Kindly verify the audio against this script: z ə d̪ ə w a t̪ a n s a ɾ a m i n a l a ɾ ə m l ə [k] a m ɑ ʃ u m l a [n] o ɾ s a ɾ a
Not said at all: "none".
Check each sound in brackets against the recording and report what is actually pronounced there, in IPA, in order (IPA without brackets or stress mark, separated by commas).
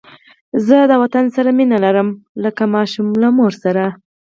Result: k, m